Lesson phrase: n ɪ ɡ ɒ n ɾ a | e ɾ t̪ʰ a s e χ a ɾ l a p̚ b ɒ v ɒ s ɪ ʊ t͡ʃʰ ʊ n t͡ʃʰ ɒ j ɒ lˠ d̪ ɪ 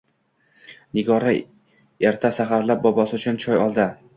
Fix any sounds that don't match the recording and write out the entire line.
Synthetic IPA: n ɪ ɡ ɒ ɾ a | e ɾ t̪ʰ a s a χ a ɾ l a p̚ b ɒ b ɒ s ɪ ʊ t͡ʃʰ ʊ n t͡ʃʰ ɒ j ɒ lˠ d̪ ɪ